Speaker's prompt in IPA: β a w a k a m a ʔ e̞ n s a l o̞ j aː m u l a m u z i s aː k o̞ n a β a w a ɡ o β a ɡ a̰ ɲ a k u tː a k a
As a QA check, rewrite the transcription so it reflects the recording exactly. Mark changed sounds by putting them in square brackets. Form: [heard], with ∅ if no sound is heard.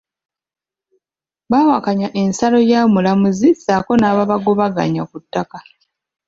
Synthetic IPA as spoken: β a w a k a [ɲ] a ʔ e̞ n s a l o̞ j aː m u l a m u z i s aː k o̞ n a β a [β] a ɡ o β a ɡ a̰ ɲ a k u tː a k a